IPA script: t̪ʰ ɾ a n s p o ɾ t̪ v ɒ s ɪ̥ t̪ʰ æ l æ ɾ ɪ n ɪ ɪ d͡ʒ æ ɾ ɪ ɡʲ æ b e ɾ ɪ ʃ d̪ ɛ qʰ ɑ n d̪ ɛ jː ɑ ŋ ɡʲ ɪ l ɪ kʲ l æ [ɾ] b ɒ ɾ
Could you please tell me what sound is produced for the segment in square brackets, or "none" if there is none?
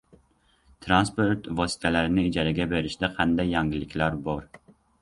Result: ɾ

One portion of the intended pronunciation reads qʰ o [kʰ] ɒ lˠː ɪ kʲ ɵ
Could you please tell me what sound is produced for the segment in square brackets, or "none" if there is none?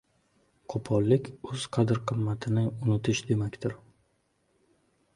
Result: pʰ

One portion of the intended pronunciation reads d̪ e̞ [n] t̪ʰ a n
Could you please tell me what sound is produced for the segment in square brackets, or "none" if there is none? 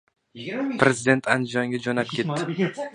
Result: n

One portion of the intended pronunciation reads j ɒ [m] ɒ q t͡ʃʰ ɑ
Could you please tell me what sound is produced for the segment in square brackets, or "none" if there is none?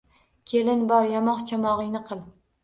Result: m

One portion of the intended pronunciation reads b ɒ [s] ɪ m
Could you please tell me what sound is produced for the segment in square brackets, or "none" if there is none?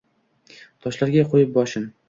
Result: ʃ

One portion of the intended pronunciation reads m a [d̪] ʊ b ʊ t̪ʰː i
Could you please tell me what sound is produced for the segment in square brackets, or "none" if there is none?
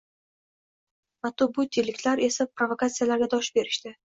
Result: t̪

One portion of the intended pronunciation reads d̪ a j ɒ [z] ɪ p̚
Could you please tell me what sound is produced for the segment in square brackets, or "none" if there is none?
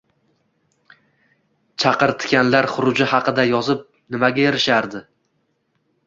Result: z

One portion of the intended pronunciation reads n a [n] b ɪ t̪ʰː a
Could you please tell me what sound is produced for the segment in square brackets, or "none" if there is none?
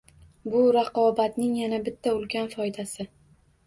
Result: none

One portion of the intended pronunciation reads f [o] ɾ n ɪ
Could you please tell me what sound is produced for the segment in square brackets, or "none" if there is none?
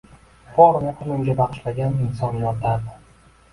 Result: ɒ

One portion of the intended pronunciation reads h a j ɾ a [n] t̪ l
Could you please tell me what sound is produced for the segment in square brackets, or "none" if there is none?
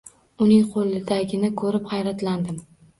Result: none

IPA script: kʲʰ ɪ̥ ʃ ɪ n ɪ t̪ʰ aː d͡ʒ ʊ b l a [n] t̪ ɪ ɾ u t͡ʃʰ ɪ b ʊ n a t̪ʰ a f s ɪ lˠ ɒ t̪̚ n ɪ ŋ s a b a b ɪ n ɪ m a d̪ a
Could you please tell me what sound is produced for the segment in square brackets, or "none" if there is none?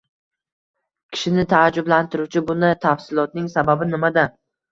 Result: n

